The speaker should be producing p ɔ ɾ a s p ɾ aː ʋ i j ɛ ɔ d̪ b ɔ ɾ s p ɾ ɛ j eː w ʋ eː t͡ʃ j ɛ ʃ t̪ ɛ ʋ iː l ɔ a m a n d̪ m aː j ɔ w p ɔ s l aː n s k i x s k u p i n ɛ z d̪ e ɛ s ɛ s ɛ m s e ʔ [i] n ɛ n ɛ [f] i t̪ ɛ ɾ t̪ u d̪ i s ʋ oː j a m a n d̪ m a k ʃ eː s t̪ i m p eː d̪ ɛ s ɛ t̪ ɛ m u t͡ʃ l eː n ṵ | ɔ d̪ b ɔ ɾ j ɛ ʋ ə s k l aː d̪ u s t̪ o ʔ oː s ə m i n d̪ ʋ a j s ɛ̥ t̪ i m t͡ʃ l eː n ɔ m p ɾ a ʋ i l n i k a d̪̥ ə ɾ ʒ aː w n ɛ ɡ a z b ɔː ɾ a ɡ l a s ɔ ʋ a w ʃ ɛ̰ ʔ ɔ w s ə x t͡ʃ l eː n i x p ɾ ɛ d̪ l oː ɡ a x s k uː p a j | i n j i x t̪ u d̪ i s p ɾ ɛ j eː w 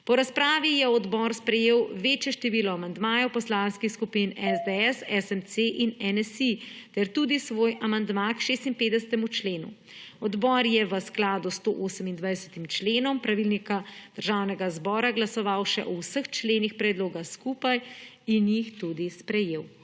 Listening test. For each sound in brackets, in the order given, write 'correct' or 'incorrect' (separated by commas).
correct, incorrect